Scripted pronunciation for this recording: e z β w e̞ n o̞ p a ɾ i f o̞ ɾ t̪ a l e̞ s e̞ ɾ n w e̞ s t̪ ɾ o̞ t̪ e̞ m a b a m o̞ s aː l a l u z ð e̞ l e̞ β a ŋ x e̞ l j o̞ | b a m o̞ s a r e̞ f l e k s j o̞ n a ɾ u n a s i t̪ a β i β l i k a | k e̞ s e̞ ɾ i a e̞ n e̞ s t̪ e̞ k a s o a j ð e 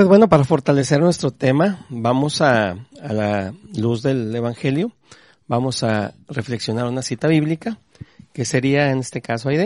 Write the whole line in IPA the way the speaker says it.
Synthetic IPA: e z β w e̞ n o̞ p a ɾ a f o̞ ɾ t̪ a l e̞ s e̞ ɾ n w e̞ s t̪ ɾ o̞ t̪ e̞ m a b a m o̞ s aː l a l u z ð e̞ l e̞ β a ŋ x e̞ l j o̞ | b a m o̞ s a r e̞ f l e k s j o̞ n a ɾ u n a s i t̪ a β i β l i k a | k e̞ s e̞ ɾ i a e̞ n e̞ s t̪ e̞ k a s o a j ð e